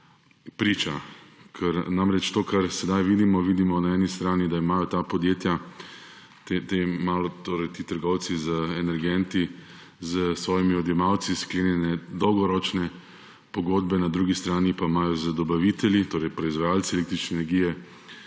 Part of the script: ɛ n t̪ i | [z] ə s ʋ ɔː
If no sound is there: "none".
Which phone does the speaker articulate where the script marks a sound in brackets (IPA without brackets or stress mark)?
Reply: z